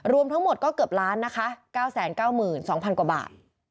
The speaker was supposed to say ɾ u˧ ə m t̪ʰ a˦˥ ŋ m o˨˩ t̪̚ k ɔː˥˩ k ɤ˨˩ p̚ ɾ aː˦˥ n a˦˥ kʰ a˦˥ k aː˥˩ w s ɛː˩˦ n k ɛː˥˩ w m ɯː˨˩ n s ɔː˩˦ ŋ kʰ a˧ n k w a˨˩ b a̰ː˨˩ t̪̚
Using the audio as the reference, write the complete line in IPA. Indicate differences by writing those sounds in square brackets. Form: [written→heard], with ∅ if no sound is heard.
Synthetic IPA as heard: ɾ u˧ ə m t̪ʰ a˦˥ ŋ m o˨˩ t̪̚ k ɔː˥˩ k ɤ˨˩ p̚ ɾ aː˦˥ [n→nː] a˦˥ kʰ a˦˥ k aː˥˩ w s ɛː˩˦ n k [ɛː˥˩→aː˥˩] w m ɯː˨˩ n s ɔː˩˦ ŋ [kʰ→pʰ] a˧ n k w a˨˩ b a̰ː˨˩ t̪̚